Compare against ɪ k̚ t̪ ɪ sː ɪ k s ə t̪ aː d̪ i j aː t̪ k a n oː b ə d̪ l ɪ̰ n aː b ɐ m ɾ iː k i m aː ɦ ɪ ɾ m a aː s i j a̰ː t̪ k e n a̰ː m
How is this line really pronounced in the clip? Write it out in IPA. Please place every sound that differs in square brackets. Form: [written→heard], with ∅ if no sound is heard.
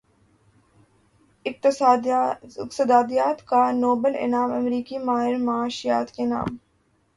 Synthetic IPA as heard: ɪ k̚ t̪ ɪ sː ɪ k s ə [t̪→d̪] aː d̪ i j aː t̪ k a n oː b ə [d̪→∅] l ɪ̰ n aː [b→m] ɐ m ɾ iː k i m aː ɦ ɪ ɾ m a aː [s→ʃ] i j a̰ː t̪ k e n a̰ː m